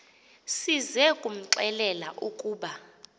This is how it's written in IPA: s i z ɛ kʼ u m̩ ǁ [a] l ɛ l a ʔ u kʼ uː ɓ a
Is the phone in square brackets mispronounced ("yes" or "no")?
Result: yes